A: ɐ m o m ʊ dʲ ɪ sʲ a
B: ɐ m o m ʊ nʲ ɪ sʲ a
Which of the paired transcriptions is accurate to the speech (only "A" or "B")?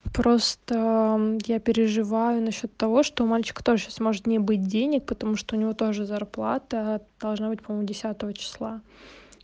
A